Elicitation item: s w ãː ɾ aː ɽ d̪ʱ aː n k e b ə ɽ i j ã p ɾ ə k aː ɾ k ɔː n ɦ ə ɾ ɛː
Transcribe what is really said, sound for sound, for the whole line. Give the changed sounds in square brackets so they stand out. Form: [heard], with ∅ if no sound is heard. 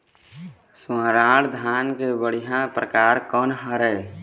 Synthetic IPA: s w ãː ɾ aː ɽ d̪ʱ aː n k e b ə ɽ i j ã p ɾ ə k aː ɾ k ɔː n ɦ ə ɾ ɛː